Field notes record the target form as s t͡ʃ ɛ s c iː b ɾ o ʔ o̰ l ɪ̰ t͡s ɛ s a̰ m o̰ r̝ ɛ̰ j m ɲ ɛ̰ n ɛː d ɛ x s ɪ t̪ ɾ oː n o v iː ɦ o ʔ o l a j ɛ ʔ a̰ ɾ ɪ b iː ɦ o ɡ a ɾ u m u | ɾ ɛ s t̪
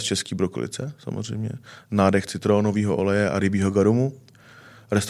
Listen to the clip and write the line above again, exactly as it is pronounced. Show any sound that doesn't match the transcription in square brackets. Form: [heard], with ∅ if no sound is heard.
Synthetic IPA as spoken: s t͡ʃ ɛ s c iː b ɾ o [k] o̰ l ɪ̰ t͡s ɛ s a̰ m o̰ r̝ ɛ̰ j m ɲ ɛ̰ n [aː] d ɛ x [t͡s] ɪ t̪ ɾ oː n o v iː ɦ o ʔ o l [ɛ] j ɛ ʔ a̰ ɾ ɪ b iː ɦ o ɡ a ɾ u m u | ɾ ɛ s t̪